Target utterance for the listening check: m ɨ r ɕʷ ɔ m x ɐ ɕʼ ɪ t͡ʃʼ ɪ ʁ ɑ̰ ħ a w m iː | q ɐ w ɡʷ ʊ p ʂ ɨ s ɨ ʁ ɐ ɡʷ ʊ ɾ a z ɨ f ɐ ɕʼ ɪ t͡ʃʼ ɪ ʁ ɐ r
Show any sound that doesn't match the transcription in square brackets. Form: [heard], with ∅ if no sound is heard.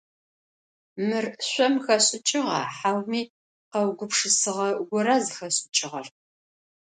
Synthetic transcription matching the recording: m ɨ r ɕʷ ɔ m x ɐ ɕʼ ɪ t͡ʃʼ ɪ ʁ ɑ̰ ħ a w m iː | q ɐ w ɡʷ ʊ p ʂ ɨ s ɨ ʁ ɐ ɡʷ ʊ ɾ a z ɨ [x] ɐ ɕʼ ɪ t͡ʃʼ ɪ ʁ ɐ r